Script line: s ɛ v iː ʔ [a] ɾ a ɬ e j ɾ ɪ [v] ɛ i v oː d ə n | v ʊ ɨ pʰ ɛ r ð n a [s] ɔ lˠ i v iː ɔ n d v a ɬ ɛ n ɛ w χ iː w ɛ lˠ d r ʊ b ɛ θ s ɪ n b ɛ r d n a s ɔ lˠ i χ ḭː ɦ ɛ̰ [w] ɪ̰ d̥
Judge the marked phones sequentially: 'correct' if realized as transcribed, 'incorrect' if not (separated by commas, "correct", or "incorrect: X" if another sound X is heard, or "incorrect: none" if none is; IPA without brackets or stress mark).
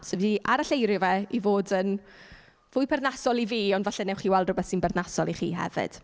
correct, correct, correct, incorrect: v